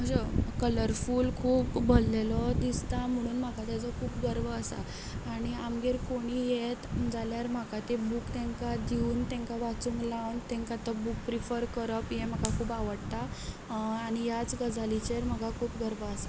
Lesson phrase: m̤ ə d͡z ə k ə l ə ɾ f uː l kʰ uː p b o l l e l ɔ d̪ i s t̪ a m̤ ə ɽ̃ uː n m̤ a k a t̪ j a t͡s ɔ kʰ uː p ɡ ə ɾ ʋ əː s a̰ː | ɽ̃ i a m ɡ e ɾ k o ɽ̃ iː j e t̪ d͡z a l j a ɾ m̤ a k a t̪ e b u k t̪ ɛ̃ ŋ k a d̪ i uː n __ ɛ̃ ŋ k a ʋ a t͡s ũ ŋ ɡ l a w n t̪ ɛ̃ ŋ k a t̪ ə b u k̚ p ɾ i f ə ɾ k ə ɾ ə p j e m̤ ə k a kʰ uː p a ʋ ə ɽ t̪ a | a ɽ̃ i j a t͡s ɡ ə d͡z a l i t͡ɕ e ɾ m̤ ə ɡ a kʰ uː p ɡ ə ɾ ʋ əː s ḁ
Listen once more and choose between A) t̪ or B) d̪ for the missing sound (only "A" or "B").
A